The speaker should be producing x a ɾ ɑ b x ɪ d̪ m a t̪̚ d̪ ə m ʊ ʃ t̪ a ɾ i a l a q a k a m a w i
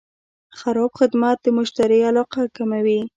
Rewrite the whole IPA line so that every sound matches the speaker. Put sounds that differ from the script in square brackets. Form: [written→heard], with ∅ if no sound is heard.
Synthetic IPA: x a ɾ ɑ b x ɪ d̪ m a t̪̚ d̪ ə m ʊ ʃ t̪ a ɾ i a l [a→ɑ] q a k a m a w i